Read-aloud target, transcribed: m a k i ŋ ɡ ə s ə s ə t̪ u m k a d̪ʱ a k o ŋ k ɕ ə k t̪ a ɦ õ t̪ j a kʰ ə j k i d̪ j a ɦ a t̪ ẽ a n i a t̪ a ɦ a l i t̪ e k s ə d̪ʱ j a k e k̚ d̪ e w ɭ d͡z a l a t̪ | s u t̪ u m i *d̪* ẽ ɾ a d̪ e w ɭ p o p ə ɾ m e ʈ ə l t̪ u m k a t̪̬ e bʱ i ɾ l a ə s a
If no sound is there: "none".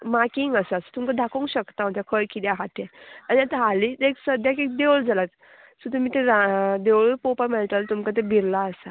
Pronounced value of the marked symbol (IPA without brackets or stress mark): t̪